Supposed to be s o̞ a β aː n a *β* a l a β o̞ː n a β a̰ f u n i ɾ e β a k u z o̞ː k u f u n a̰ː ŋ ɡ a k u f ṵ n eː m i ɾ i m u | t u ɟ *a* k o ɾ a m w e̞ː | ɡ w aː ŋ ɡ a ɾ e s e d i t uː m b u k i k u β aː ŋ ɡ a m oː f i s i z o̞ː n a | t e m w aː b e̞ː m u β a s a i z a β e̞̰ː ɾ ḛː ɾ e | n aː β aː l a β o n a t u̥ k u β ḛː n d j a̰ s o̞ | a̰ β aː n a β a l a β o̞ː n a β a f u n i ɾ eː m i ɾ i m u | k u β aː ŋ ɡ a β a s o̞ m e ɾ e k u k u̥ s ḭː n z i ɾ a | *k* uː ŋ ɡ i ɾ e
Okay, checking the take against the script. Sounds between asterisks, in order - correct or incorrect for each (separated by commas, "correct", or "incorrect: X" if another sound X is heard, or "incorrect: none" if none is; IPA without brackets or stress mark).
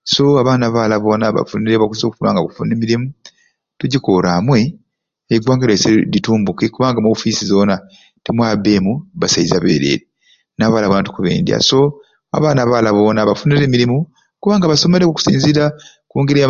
correct, incorrect: i, correct